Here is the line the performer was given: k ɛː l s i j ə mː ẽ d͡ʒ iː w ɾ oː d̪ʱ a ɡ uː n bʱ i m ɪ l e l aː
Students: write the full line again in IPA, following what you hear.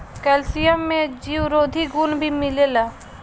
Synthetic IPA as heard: k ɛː l s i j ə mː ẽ d͡ʒ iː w ɾ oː d̪ʱ i ɡ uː n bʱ i m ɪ l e l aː